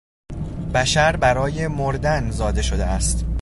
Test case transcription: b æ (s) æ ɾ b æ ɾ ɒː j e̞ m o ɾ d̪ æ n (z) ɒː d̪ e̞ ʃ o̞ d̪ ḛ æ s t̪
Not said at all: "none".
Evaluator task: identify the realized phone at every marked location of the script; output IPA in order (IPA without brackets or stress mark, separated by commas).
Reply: ʃ, z